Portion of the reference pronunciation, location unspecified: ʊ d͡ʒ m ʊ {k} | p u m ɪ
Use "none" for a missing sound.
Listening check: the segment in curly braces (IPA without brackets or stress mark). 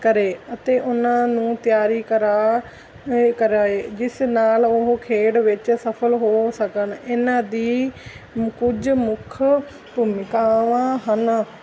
kʰ